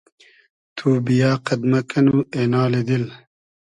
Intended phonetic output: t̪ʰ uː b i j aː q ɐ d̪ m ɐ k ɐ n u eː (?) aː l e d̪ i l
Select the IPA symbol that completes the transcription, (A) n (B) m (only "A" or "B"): A